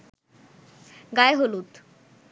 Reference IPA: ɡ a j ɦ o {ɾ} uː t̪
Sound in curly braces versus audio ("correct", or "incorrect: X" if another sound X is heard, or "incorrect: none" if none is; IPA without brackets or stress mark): incorrect: l